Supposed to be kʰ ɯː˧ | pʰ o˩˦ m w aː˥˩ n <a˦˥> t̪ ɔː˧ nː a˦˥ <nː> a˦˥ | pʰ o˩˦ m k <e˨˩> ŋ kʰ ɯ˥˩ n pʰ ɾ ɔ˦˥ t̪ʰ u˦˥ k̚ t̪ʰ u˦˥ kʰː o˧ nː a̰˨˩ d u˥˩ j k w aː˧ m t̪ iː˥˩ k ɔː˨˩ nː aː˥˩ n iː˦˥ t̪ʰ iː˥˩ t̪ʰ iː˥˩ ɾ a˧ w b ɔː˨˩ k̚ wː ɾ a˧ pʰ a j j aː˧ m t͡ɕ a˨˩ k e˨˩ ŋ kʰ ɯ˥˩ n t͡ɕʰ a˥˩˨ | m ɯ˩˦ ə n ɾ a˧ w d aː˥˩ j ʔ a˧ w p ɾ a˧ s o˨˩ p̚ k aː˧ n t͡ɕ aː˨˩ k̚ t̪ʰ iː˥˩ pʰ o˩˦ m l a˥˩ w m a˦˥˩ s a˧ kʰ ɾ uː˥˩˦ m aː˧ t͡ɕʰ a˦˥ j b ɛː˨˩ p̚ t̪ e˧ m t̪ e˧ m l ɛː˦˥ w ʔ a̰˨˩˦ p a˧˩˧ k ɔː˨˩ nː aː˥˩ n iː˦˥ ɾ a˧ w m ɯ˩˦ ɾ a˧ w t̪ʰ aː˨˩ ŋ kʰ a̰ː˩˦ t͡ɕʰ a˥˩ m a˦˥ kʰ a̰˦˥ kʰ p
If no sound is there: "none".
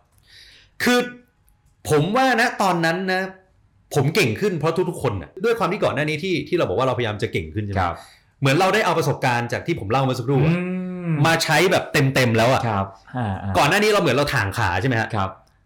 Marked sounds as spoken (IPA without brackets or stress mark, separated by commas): a˦˥, nː, e˨˩